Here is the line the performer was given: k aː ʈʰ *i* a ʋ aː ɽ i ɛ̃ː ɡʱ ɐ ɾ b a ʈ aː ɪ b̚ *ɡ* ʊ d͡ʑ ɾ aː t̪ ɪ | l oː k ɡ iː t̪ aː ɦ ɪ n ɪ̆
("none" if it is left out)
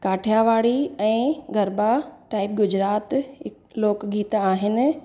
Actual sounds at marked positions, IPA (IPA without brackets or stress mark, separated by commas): j, ɡ